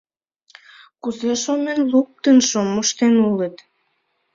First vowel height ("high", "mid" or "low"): high